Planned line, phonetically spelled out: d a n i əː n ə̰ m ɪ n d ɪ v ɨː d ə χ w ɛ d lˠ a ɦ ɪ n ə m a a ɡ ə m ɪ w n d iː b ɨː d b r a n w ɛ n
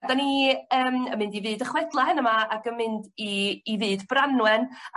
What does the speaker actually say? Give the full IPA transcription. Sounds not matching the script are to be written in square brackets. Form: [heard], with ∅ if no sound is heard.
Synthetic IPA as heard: d a n i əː [m] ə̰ m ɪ n d [i] v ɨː d ə χ w ɛ d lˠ a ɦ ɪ n ə m a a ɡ ə m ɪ [∅] n d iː [v] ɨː d b r a n w ɛ n

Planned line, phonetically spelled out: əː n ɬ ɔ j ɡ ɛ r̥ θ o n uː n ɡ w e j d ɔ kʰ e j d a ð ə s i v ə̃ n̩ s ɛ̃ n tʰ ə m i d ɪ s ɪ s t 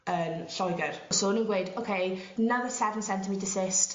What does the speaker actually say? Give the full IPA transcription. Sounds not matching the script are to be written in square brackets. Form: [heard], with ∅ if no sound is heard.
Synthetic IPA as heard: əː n ɬ ɔ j ɡ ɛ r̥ [s] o n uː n ɡ w e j d [o] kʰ e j [n] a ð ə s [ɛ] v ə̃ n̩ s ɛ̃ n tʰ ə m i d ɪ s ɪ s t

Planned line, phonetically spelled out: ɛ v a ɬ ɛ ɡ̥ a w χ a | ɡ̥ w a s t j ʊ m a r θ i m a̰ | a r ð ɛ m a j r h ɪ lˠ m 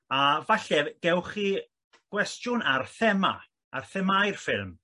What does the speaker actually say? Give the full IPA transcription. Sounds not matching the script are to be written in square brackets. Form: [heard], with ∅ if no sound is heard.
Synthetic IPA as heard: [a] v a ɬ ɛ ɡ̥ [ɛ] w χ [i] | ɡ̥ w [ɛ] s t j ʊ [n] a r θ [ɛ] m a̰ | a r [θ] ɛ m a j r [f] ɪ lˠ m

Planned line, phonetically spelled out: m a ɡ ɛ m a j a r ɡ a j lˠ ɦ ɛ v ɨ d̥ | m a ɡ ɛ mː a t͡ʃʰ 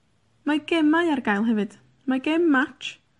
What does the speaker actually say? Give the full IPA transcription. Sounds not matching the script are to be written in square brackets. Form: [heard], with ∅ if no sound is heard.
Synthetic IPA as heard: m a ɡ ɛ m a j a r ɡ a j lˠ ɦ ɛ v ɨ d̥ | m a ɡ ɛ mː a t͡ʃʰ

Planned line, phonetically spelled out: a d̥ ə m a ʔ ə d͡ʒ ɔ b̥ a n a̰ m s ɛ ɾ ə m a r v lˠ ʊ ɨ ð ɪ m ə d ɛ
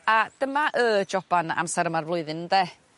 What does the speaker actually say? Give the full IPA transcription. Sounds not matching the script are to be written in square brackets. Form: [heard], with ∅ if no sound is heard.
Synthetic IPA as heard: a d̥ ə m a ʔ ə d͡ʒ ɔ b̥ a n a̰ m s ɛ ɾ ə m a r v lˠ ʊ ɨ ð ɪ [n] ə d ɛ

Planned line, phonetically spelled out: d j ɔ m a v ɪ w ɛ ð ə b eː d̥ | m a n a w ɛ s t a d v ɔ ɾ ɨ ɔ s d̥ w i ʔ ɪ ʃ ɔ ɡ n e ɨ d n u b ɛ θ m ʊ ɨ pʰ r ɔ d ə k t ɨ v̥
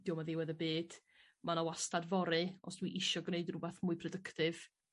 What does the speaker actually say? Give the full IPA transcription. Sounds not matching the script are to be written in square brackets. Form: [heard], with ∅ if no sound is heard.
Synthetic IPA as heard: d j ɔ m a [ð] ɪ w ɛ ð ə b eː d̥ | m a n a w [a] s t a d v ɔ ɾ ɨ ɔ s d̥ w i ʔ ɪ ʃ ɔ ɡ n e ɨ d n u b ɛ θ m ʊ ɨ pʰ r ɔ d ə k t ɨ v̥

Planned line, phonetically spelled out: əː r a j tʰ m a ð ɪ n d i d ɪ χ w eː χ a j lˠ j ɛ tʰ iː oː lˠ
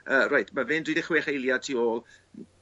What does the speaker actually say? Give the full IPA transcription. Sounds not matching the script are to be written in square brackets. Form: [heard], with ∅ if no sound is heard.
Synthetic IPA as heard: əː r a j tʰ m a [v] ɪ n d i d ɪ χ w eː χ [e] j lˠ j [a] tʰ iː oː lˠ

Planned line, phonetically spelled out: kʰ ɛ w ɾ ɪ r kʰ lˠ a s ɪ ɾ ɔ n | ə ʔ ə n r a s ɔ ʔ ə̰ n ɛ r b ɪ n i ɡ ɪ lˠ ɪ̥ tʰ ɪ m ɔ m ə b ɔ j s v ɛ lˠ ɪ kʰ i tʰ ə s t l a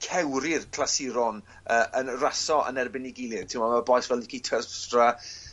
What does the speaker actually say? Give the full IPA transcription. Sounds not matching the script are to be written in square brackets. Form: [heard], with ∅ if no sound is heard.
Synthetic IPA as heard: kʰ ɛ w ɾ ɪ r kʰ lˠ a s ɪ ɾ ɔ n | ə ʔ ə n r a s ɔ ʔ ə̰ n ɛ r b ɪ n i ɡ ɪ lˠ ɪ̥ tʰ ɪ m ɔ m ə b ɔ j s v ɛ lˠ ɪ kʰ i tʰ ə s t [r] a

